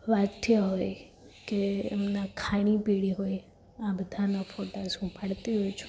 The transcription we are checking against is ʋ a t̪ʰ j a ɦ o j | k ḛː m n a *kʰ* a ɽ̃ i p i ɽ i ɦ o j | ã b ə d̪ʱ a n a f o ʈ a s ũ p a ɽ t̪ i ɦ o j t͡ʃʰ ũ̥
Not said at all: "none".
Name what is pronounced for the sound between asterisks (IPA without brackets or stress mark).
kʰ